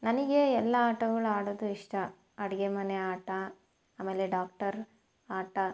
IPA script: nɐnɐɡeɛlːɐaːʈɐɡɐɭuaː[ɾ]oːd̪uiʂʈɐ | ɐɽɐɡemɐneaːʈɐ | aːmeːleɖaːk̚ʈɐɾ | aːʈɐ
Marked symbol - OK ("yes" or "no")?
no